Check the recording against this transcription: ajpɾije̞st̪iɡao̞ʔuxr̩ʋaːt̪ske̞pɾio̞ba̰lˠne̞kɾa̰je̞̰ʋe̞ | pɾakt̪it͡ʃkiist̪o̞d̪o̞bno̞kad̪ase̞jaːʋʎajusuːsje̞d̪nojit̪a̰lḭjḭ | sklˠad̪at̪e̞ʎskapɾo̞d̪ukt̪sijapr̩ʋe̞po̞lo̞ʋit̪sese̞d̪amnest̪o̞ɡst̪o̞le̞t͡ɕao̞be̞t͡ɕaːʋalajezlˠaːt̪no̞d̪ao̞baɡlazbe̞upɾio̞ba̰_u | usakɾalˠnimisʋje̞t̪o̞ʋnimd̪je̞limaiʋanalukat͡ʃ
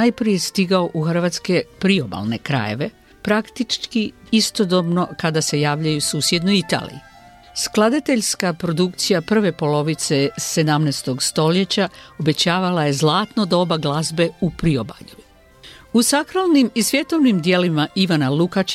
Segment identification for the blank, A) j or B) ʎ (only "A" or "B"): B